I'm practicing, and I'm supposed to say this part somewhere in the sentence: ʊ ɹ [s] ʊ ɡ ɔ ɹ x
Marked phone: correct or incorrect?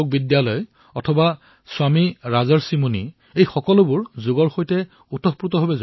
incorrect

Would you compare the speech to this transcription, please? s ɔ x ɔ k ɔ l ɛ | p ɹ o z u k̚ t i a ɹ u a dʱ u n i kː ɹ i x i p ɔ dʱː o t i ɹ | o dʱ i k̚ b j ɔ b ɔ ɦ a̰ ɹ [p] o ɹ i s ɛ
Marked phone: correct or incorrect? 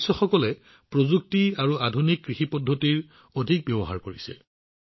incorrect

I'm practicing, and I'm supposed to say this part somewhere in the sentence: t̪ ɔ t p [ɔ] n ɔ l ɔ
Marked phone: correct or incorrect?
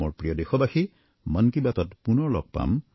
incorrect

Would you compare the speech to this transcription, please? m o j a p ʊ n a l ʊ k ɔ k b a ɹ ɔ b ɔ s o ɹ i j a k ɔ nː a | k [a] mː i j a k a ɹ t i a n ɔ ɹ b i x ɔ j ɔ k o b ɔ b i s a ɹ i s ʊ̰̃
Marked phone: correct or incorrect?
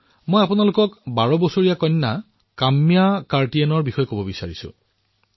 correct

